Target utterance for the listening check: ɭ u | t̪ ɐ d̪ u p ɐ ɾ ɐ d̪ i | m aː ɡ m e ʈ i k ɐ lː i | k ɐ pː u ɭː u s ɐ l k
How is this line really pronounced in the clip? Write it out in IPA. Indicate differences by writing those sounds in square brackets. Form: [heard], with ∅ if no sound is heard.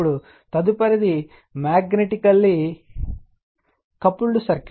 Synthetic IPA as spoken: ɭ u | t̪ ɐ d̪ u p ɐ ɾ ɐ d̪ i | m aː ɡ [n] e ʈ i k ɐ lː i | k ɐ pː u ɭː u s ɐ [ɾ] k